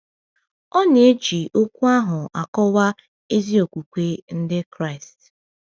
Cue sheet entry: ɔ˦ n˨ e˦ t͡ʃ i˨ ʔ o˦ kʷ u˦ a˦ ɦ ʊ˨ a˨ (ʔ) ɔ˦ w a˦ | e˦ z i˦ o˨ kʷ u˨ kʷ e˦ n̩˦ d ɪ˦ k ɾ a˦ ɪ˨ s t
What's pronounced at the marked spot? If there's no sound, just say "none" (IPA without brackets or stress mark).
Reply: k